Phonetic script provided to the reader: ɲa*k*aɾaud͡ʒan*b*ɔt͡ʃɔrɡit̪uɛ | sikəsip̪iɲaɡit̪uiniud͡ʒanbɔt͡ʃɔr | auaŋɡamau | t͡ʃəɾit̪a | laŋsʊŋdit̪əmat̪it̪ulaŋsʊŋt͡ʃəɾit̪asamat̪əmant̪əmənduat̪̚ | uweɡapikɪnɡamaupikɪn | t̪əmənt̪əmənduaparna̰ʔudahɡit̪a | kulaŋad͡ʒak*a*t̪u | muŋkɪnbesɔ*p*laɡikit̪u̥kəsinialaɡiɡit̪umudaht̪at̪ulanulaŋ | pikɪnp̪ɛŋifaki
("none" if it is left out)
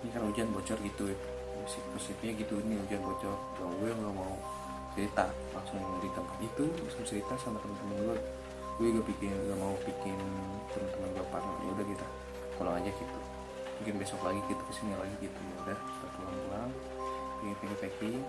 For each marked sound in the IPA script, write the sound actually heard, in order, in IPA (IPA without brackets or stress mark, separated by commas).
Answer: k, b, i, k